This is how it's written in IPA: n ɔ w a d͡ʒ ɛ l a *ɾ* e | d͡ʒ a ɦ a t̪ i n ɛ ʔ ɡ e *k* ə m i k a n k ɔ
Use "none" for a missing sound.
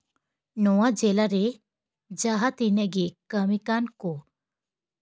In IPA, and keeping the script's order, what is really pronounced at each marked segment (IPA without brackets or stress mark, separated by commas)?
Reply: ɾ, k